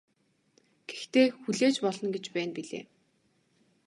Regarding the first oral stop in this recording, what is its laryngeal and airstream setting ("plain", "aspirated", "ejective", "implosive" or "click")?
plain